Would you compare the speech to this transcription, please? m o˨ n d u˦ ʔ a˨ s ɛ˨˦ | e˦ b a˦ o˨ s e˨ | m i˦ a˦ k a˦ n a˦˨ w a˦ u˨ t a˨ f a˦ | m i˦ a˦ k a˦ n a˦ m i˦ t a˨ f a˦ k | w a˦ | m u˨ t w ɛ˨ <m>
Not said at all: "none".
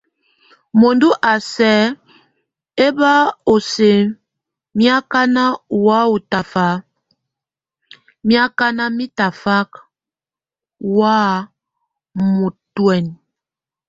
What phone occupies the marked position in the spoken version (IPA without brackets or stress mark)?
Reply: n